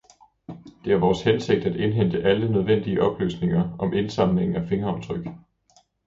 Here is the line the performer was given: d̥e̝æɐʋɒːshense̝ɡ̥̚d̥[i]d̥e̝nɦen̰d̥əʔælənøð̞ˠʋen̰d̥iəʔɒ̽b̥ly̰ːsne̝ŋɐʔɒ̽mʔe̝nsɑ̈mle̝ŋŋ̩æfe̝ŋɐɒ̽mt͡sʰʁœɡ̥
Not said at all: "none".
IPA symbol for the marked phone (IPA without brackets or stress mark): æ